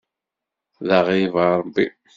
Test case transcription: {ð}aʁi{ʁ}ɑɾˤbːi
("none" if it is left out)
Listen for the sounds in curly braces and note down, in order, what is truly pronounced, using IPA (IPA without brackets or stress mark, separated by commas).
ð, v